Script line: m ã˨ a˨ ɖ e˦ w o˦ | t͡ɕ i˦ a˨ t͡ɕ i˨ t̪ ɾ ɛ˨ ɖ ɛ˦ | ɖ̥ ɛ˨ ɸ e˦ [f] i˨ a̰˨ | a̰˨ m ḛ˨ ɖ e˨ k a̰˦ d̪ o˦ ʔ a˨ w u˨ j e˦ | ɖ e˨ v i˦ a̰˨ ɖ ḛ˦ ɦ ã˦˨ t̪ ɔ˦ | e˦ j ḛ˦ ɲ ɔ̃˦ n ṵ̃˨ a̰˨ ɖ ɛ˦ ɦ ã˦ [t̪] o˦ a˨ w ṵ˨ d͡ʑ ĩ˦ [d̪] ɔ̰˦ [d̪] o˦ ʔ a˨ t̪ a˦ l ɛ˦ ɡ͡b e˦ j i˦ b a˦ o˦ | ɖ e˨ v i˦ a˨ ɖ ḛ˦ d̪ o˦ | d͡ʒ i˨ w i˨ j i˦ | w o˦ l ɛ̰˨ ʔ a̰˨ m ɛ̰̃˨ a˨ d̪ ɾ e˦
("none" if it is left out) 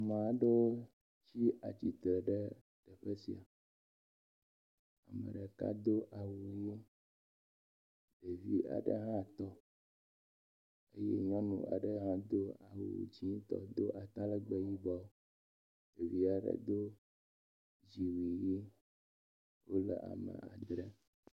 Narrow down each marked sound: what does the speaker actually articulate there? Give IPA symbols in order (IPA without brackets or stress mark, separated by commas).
s, d̪, t̪, d̪